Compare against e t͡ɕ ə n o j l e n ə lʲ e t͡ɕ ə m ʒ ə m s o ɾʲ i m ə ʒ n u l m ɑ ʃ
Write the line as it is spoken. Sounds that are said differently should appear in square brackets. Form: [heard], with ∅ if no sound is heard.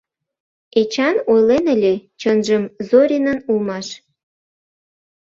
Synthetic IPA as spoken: e t͡ɕ [ɑ] n o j l e n ə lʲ e t͡ɕ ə [n] ʒ ə m [z] o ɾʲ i [n] ə [∅] n u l m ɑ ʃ